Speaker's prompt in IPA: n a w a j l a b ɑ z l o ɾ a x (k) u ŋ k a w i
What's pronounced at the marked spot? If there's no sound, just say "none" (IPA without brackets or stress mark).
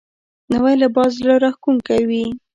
k